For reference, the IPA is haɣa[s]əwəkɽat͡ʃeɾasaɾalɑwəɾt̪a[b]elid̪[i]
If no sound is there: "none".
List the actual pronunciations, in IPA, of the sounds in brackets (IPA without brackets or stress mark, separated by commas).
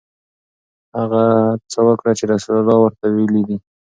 t͡s, w, i